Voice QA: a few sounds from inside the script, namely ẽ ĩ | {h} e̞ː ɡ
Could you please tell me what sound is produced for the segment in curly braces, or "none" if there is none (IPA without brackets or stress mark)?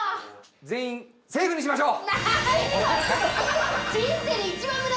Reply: s